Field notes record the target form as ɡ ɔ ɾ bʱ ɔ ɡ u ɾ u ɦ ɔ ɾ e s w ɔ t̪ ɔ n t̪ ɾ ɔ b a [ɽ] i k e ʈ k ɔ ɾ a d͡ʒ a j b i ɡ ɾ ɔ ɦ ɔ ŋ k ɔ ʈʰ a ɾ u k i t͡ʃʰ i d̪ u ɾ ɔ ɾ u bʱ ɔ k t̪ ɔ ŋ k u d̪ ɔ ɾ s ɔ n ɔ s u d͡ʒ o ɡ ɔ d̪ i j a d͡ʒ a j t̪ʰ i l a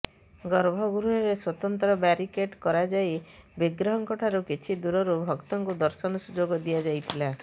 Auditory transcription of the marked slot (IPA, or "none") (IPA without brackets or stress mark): ɾ